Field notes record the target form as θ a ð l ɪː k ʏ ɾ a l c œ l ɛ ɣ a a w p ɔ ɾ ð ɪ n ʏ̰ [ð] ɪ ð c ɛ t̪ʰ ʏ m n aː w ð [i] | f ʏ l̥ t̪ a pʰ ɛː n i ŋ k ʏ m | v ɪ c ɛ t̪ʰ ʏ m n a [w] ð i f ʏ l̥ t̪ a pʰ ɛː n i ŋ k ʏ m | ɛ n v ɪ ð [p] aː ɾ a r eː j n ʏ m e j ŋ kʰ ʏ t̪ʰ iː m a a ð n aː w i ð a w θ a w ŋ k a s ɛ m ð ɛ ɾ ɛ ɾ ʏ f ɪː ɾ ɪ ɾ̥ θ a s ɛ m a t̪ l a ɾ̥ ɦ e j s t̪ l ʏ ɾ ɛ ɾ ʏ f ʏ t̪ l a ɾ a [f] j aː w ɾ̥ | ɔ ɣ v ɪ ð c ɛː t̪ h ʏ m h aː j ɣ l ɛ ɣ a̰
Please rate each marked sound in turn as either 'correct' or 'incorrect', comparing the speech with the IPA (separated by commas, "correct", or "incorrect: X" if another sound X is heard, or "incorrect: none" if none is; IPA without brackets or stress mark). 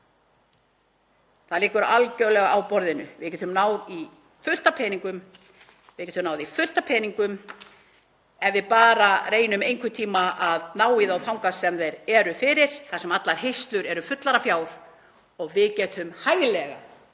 incorrect: v, correct, correct, correct, correct